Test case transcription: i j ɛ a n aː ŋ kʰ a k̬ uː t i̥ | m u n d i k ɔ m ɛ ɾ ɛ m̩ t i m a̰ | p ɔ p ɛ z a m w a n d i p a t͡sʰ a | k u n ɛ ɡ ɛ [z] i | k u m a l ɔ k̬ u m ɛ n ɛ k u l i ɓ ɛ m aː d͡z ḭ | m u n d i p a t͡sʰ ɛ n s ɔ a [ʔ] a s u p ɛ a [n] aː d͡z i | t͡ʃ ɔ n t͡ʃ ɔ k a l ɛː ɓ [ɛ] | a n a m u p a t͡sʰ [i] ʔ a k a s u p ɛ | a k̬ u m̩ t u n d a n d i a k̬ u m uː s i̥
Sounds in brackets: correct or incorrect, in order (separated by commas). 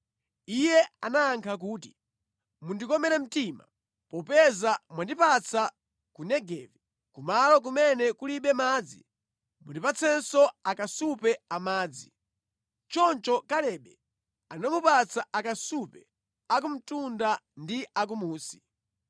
incorrect, incorrect, incorrect, correct, incorrect